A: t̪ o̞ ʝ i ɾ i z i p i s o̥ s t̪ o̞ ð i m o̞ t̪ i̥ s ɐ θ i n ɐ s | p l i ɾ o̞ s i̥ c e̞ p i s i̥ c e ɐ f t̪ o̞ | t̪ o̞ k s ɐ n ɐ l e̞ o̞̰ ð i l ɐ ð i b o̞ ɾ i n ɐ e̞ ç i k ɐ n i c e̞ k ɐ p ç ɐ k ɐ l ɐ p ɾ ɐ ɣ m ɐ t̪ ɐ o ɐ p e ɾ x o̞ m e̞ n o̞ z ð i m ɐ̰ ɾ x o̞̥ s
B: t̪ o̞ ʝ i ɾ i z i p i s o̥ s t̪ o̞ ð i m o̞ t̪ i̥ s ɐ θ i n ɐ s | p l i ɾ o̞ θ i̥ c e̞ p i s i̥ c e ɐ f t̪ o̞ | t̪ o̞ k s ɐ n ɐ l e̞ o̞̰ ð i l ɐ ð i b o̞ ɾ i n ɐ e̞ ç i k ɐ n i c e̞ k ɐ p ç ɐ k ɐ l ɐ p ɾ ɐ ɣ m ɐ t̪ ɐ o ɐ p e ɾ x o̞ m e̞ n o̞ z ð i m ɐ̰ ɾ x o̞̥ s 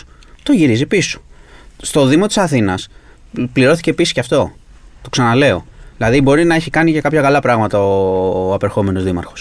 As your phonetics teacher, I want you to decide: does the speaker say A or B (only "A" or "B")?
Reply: B